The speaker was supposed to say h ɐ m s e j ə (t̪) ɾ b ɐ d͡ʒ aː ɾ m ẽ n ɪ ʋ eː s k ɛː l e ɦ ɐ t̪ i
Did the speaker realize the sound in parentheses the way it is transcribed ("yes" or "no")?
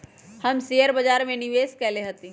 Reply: no